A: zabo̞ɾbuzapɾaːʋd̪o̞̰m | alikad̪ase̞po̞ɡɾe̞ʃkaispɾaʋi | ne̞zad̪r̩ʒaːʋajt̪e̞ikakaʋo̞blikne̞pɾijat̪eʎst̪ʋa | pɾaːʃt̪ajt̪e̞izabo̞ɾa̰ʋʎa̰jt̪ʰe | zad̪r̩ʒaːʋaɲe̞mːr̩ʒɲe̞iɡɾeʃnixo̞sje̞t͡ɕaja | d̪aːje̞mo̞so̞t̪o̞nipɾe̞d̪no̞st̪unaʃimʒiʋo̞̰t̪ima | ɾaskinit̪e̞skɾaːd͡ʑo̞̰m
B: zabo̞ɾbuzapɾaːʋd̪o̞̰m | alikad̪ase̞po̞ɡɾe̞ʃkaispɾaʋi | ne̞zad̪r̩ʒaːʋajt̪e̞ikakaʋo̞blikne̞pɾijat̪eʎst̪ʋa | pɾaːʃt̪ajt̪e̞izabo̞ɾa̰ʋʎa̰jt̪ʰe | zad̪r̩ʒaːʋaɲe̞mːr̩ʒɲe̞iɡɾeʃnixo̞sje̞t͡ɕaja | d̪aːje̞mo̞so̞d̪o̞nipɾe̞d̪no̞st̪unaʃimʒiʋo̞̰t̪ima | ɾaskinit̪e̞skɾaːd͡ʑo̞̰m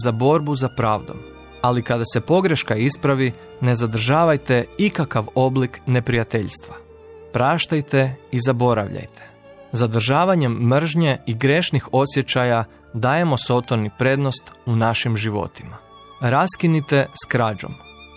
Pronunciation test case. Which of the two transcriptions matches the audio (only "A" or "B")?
A